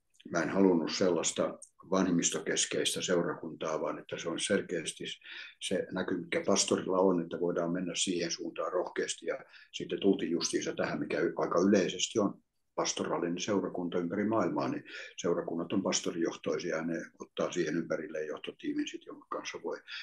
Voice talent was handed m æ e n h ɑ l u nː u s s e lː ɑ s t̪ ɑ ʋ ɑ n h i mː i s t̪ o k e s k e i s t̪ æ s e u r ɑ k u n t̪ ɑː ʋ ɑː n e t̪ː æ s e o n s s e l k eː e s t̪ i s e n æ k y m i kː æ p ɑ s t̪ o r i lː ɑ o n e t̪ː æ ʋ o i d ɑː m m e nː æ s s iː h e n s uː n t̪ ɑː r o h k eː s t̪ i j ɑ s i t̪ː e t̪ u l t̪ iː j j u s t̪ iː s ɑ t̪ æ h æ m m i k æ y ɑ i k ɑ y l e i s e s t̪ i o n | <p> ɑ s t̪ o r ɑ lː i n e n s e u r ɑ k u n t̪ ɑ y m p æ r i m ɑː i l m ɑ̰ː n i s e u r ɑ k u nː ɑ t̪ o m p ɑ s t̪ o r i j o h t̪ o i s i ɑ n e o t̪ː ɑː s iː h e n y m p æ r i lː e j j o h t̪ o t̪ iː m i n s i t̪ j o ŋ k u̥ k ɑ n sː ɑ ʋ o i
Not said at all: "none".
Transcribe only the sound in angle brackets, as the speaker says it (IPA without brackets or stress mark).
p